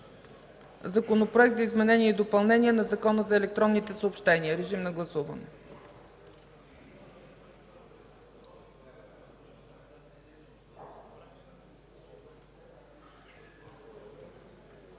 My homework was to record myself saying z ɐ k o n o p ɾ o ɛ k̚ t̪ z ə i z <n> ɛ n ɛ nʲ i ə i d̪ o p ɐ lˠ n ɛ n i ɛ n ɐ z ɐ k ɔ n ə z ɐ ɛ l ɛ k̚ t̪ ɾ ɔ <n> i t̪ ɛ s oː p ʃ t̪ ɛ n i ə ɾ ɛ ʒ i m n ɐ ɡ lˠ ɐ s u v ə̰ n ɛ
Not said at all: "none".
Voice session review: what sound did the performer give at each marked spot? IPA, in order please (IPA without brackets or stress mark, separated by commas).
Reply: m, nː